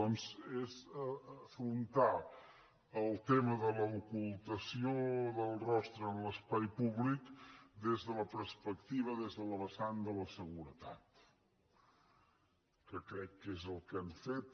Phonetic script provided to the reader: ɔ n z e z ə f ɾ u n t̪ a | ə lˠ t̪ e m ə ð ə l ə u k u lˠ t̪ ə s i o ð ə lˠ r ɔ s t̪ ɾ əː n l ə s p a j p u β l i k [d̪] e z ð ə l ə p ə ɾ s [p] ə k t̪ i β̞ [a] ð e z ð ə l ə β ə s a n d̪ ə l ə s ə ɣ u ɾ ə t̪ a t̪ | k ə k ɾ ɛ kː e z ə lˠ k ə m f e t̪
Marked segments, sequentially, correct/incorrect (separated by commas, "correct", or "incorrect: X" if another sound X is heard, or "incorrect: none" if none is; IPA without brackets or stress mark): correct, correct, incorrect: ə